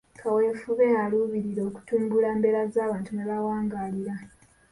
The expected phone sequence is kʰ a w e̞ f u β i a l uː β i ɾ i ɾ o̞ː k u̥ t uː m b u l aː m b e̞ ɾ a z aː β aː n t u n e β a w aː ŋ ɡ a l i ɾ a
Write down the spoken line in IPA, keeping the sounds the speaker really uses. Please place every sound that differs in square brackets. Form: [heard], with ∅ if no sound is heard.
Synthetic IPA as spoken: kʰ a w e̞ f u β [e] a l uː β i ɾ i ɾ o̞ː k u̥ t uː m b u l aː m b e̞ ɾ a z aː β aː n t u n e β a w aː ŋ ɡ a l i ɾ a